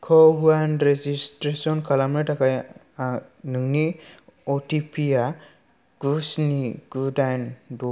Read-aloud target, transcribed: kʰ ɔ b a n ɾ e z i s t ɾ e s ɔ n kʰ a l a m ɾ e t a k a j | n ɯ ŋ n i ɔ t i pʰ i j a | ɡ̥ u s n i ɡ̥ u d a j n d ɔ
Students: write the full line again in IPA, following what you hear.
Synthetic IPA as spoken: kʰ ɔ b a n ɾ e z i s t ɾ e s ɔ n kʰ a l a m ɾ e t a k a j | n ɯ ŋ n i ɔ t i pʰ i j a | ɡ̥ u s n i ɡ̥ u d a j n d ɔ